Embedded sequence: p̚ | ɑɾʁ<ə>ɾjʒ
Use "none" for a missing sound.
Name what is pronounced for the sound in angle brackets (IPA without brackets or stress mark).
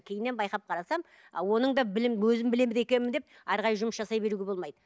ɑ